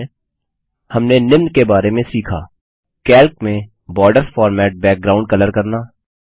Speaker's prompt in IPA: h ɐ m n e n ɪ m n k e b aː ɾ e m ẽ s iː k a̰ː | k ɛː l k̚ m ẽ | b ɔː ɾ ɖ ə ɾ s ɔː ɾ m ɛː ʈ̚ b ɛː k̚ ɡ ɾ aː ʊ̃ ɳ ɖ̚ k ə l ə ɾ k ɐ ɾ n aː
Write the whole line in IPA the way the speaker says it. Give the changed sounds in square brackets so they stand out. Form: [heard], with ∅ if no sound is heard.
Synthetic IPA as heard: h ɐ m n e n ɪ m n k e b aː ɾ e m ẽ s iː [kʰ] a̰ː | k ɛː l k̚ m ẽ | b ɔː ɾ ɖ ə ɾ [f] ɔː ɾ m ɛː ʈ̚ b ɛː k̚ ɡ ɾ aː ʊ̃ ɳ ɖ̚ k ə l ə ɾ k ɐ ɾ n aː